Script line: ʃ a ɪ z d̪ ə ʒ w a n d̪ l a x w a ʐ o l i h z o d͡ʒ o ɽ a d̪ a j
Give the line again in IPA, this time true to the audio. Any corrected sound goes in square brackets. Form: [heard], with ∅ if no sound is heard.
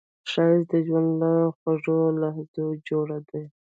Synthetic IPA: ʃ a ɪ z d̪ ə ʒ w a n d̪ l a x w a ʐ o l [a] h z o d͡ʒ o ɽ a d̪ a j

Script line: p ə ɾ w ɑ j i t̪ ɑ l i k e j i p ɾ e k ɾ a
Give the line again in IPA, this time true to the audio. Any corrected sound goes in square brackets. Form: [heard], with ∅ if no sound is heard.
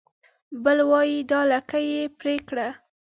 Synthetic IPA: [b] ə [l] w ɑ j i [d̪] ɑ l [a] k [a] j [e] p ɾ e k [ɽ] a

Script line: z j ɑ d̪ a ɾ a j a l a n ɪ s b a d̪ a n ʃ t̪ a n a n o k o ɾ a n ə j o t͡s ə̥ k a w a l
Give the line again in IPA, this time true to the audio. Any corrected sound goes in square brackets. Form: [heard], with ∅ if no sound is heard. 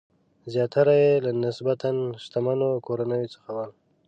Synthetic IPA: z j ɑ [t̪] a ɾ a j [e] l a n ɪ s b a [t̪] a n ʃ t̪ a [m] a n o k o ɾ a n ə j o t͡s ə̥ [x] a w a l

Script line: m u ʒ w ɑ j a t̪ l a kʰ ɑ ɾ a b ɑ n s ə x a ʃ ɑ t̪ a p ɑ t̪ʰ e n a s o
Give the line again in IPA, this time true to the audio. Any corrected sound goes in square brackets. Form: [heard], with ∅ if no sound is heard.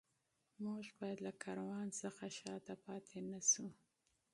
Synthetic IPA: m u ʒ [b] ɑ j a [d̪] l a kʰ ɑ ɾ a [w] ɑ n s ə x a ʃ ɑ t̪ a p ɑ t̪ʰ e n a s [u]

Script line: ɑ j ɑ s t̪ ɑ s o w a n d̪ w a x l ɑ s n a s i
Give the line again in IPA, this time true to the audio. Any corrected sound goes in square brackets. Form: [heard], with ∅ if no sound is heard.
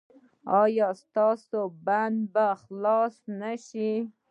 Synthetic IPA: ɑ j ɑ s t̪ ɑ s o [b] a n d̪ [b] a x l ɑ s n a [ʃ] i

